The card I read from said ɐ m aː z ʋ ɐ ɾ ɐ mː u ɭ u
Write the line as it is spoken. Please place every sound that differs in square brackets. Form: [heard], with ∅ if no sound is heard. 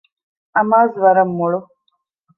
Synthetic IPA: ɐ m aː z ʋ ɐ ɾ ɐ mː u ɭ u